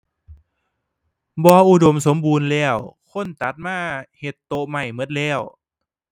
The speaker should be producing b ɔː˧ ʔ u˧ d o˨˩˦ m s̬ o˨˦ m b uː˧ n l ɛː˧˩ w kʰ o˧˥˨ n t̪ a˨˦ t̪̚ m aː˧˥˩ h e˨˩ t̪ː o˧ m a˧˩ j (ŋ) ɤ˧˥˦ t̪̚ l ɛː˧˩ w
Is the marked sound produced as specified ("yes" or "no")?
no